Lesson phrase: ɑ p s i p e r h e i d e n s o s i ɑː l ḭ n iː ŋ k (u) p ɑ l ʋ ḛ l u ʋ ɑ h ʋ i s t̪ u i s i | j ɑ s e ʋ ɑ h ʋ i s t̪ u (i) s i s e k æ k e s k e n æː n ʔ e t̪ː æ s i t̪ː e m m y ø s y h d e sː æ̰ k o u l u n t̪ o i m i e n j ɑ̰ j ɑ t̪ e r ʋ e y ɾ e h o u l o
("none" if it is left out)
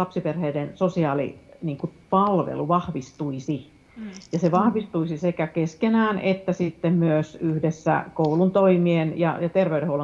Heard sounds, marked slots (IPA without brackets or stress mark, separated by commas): u, i